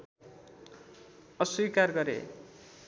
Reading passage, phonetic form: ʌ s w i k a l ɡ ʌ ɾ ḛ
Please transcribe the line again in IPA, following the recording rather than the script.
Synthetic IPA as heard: ʌ s w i k a r ɡ ʌ ɾ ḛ